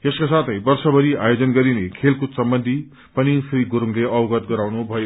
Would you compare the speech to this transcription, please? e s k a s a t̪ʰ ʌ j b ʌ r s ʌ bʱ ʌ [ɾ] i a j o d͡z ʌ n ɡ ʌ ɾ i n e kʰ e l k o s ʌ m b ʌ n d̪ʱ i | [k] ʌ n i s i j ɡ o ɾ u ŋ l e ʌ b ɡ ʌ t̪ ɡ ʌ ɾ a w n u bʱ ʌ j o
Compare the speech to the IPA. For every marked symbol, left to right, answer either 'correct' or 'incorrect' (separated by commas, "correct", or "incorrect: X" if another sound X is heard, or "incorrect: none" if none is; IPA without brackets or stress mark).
correct, incorrect: p